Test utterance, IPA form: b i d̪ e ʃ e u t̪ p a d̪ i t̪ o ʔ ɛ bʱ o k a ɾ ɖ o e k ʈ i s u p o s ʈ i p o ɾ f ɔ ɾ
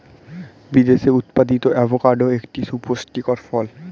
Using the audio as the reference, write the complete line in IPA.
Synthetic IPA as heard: b i d̪ e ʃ e u t̪ p a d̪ i t̪ o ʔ ɛ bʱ o k a ɾ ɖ o e k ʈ i s u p o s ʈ i k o ɾ f ɔ l

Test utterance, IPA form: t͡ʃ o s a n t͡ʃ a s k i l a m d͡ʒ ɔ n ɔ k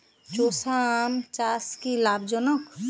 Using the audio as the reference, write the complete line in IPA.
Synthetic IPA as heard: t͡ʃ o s a m t͡ʃ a s k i l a b d͡ʒ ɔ n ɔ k

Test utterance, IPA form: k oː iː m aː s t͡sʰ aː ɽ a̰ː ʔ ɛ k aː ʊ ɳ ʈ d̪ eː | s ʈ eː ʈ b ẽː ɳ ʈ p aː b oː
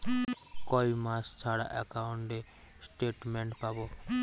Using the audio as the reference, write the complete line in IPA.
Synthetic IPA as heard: k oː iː m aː s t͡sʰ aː ɽ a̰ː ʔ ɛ k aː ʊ ɳ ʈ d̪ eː | s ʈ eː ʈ m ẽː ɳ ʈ p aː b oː

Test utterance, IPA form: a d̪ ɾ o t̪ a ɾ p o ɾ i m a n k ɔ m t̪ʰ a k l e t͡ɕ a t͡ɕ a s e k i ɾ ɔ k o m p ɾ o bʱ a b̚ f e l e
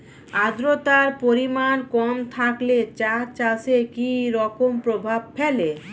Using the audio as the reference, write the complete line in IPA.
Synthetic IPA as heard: a d̪ ɾ o t̪ a ɾ p o ɾ i m a n k ɔ m t̪ʰ a k l e t͡ɕ a t͡ɕ a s e k i ɾ ɔ k o m p ɾ o bʱ a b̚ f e l e

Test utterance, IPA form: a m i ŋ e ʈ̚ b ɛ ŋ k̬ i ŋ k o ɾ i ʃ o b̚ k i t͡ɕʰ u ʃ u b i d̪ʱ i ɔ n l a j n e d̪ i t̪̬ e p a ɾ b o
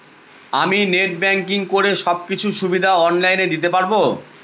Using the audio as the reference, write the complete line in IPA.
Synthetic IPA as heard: a m i n e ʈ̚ b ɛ ŋ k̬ i ŋ k o ɾ e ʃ ɔ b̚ k i t͡ɕʰ u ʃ u b i d̪ʱ a ɔ n l a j n e d̪ i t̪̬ e p a ɾ b o

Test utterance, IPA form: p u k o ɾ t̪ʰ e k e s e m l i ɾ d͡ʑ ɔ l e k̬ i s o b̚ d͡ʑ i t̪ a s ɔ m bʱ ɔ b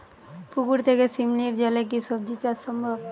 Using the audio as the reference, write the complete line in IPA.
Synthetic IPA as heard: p u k u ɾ t̪ʰ e k e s i m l i ɾ d͡ʑ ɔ l e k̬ i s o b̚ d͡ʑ i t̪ a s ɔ m bʱ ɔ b

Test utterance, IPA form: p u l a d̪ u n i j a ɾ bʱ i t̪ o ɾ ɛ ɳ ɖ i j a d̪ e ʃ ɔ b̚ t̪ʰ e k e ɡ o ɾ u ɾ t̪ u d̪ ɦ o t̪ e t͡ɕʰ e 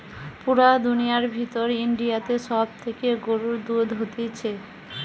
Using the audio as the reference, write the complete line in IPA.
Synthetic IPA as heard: p u ɾ a d̪ u n i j a ɾ bʱ i t̪ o ɾ i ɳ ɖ i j a t̪ e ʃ ɔ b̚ t̪ʰ e k e ɡ o ɾ u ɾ d̪ u d̪ ɦ o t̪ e t͡ɕʰ e

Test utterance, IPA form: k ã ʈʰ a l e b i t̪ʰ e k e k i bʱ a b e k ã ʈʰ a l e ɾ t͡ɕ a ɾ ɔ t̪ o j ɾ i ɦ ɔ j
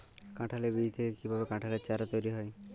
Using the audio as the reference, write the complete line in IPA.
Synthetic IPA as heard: k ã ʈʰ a l e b i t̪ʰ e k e k i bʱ a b e k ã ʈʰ a l e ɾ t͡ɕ a ɾ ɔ t̪ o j ɾ i ɦ ɔ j

